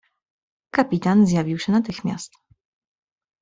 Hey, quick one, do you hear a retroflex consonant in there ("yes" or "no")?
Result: no